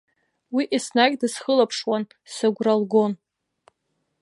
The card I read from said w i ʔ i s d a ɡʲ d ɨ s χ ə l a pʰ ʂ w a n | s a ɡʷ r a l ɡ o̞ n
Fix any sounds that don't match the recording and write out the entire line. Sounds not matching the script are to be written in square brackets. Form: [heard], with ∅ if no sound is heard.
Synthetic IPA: w i ʔ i s [n] a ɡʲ d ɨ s χ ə l a pʰ ʂ w a n | s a ɡʷ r a l ɡ o̞ n